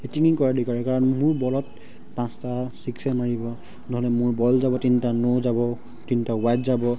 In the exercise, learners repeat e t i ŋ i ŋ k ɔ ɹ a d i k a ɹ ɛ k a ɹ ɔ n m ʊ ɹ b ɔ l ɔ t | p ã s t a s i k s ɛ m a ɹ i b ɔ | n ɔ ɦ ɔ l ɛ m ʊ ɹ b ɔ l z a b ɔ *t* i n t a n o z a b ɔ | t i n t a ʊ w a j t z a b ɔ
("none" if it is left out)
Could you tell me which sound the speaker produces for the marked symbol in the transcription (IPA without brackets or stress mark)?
t